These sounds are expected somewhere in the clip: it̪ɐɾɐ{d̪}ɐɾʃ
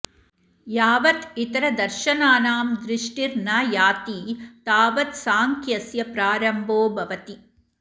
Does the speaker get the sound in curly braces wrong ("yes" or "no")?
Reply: no